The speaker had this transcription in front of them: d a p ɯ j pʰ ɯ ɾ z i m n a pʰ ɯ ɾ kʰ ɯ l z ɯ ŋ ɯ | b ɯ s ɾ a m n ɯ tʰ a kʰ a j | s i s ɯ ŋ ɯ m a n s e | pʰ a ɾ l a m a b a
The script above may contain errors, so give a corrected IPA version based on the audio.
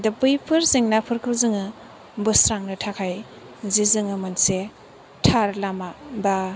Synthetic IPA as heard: d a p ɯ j pʰ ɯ ɾ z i ŋ n a pʰ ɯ ɾ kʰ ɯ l z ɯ ŋ ɯ | b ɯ s ɾ a ŋ n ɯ tʰ a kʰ a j | z i z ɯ ŋ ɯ m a n s e | tʰ a ɾ l a m a b a